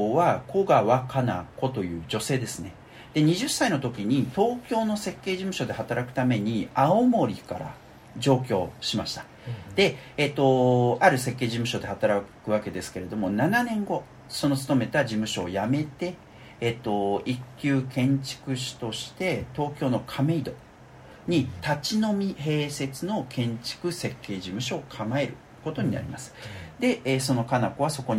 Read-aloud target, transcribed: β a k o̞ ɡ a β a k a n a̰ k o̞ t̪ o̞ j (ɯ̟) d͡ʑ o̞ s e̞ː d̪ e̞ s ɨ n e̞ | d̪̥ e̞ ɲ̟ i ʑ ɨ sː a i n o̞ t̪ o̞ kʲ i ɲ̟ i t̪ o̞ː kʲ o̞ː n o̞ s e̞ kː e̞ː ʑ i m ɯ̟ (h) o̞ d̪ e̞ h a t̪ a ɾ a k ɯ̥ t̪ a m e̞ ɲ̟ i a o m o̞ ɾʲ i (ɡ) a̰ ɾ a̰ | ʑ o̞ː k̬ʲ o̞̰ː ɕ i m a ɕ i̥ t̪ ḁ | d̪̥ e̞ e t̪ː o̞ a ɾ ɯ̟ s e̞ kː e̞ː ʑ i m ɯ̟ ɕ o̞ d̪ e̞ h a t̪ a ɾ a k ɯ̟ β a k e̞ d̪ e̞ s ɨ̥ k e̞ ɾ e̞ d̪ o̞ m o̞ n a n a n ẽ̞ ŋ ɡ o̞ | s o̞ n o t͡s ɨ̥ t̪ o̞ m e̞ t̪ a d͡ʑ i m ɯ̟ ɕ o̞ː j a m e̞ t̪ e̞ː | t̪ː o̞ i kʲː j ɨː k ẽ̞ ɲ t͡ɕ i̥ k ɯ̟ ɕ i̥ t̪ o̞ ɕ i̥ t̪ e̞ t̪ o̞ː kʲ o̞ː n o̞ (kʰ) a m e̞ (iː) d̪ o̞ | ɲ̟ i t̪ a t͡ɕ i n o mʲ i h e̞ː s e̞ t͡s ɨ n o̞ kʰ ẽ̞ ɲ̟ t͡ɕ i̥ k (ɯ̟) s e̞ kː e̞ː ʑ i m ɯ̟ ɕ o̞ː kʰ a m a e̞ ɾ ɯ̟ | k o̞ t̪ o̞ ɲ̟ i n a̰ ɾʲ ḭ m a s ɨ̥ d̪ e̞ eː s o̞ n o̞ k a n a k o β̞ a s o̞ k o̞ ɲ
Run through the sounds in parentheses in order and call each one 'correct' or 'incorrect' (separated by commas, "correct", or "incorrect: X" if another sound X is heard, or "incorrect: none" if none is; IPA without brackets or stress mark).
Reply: incorrect: ɯ̟ː, incorrect: ɕ, incorrect: k, correct, incorrect: i, correct